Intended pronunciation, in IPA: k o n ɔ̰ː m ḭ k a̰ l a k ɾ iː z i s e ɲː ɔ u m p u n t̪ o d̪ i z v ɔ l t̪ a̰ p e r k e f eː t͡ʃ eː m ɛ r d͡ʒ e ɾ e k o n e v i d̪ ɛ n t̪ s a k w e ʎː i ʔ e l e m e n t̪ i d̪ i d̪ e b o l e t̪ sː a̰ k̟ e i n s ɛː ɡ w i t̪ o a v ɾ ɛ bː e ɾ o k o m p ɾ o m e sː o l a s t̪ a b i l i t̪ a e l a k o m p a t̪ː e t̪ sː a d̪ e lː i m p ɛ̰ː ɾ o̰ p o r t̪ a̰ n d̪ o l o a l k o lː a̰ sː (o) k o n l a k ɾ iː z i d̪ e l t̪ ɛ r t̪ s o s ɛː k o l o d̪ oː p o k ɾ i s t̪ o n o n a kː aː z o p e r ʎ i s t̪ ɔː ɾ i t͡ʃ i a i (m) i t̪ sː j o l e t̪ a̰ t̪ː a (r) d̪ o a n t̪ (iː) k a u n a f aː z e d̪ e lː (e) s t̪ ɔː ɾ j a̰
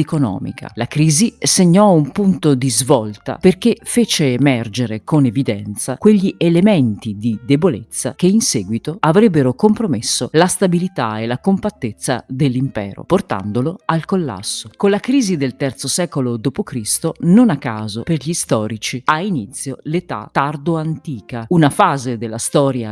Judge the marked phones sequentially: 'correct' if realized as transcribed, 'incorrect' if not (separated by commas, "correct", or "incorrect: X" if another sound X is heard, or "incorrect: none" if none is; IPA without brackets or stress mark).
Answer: correct, incorrect: n, correct, correct, incorrect: a